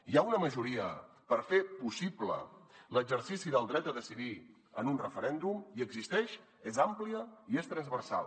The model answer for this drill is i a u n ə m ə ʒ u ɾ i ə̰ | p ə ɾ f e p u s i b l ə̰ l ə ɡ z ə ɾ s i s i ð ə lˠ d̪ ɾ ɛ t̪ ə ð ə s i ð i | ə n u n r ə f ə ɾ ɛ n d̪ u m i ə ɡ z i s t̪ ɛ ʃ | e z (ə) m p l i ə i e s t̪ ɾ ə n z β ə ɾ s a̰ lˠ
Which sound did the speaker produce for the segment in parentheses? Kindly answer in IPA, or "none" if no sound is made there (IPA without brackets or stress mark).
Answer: a